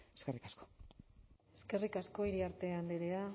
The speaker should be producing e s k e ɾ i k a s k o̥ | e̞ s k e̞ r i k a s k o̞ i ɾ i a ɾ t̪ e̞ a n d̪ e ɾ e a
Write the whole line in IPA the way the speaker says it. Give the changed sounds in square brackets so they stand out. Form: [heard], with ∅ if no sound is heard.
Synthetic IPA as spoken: e s k e [r] i k a s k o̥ | e̞ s k e̞ r i k a s k o̞ i ɾ i a ɾ t̪ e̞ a n d̪ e ɾ e a